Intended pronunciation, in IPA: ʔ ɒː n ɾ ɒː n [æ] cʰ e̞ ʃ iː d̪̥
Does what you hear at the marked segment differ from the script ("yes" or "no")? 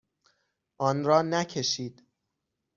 no